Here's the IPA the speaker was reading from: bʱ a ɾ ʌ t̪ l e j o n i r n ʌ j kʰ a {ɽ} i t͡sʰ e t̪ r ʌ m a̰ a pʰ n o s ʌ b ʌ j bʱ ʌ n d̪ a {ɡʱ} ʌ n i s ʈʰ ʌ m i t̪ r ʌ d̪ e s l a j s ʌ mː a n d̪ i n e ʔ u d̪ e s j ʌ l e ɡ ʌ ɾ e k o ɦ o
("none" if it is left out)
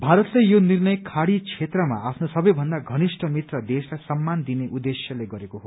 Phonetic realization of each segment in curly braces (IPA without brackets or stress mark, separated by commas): ɽ, ɡʱ